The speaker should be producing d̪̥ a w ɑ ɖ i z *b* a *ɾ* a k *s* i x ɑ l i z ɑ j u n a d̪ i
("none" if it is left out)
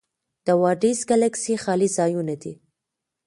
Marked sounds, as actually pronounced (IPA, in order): ɡ, l, s

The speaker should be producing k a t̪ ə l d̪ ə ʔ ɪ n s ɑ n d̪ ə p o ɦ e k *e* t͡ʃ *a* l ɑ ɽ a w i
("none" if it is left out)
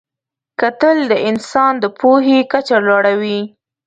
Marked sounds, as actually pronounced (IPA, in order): a, a

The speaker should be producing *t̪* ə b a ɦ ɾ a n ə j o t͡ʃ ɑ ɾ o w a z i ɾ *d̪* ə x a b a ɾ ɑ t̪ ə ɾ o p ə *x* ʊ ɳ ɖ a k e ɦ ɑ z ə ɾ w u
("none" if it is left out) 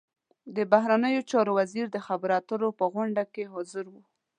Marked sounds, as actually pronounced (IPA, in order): d̪, d̪, ɣ

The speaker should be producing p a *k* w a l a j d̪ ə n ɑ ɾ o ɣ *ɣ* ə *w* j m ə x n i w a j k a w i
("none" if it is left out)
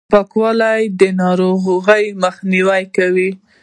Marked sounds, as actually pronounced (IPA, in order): k, ɣ, none

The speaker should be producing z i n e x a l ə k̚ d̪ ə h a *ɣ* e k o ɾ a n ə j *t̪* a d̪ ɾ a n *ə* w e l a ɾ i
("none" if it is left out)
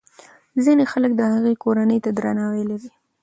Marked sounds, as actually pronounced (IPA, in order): ɣ, t̪, ɑ

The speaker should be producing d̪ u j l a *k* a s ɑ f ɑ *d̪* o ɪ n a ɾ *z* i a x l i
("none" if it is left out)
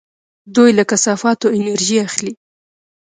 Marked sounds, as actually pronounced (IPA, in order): k, t̪, ʒ

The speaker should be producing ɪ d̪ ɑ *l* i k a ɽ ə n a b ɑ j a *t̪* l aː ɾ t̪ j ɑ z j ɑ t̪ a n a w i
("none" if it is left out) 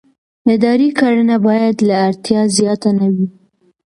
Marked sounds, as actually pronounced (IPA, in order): ɾ, d̪

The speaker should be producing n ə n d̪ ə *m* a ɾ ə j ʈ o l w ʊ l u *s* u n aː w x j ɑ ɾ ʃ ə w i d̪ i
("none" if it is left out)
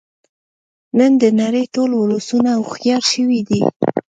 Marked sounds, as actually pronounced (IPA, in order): n, s

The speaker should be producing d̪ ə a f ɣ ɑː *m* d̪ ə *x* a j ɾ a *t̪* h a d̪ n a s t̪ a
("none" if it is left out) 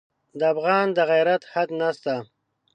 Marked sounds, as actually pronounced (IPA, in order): n, ɣ, t̪

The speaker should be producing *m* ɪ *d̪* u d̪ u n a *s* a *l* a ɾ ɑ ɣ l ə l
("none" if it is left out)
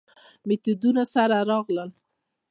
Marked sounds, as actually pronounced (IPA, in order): m, t̪, s, ɾ

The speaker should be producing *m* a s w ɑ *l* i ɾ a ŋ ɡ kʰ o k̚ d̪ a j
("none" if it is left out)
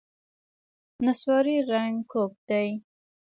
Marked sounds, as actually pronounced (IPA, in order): n, ɾ

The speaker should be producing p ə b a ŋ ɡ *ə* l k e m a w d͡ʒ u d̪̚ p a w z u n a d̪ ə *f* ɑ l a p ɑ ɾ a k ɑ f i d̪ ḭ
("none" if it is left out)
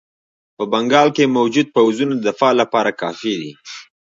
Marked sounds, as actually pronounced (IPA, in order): ɑ, f

